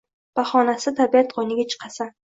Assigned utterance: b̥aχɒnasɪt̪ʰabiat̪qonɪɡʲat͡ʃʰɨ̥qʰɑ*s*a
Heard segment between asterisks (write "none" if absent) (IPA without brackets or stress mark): s